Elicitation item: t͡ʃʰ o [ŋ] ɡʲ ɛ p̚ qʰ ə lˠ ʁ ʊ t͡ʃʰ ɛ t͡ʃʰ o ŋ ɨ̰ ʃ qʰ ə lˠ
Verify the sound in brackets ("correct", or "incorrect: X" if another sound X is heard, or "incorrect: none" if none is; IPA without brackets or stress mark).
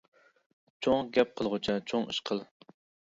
correct